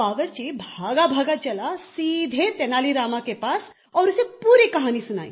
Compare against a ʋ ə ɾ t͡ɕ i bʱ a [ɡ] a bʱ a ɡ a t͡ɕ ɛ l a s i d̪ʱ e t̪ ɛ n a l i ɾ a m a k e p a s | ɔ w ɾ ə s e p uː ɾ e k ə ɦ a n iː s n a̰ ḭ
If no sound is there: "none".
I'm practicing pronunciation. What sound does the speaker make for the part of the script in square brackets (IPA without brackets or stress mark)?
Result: ɡ